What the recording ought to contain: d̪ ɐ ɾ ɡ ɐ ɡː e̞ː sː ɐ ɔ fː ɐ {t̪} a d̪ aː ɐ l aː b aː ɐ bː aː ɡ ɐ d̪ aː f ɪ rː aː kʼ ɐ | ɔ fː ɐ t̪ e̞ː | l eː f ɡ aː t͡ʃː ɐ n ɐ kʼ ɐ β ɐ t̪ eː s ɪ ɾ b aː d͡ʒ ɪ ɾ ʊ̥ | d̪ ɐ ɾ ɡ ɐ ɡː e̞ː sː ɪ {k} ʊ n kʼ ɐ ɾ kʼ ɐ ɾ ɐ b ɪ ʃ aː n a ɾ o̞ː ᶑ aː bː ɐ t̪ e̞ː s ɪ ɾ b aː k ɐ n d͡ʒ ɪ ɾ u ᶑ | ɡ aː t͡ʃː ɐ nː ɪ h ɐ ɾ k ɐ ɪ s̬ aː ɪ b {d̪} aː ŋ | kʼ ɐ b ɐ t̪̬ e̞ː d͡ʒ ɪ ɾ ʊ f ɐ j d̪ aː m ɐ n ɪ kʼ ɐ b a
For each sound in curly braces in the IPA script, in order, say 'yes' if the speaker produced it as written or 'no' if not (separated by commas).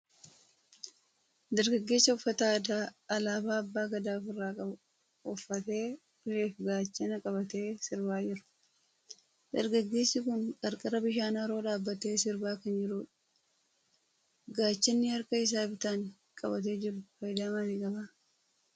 yes, yes, no